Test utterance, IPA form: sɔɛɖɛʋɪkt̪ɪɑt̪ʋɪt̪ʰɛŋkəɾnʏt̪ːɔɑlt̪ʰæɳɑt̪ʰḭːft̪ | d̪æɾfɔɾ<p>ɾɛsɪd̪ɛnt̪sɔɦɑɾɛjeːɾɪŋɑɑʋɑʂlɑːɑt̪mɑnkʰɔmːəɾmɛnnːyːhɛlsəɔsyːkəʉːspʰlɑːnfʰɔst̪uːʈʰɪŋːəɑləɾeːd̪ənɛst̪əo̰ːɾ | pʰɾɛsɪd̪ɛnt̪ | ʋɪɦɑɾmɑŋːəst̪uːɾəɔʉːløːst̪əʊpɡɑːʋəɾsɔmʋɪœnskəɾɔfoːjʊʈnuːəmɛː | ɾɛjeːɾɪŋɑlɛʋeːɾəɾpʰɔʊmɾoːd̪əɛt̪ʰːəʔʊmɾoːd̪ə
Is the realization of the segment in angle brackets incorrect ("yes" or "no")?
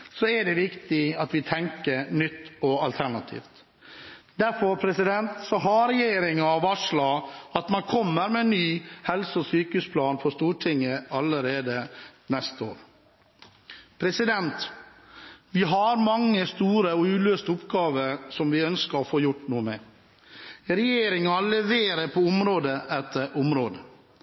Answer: yes